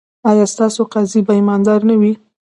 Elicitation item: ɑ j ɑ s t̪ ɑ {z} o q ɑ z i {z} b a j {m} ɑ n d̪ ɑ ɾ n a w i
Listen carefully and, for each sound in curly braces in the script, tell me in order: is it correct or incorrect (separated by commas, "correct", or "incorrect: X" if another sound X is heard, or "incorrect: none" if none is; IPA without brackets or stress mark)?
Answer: incorrect: s, incorrect: none, correct